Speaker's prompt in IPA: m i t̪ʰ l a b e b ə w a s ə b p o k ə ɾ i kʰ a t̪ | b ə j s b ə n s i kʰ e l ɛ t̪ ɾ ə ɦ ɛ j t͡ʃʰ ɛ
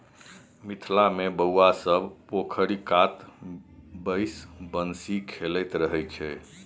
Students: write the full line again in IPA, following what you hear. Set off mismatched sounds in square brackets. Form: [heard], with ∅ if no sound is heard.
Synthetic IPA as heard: m i t̪ʰ l a [m] e b ə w a s ə b p o [kʰ] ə ɾ i [k] a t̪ | b ə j s b ə n s i kʰ e l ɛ t̪ ɾ ə ɦ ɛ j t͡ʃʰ ɛ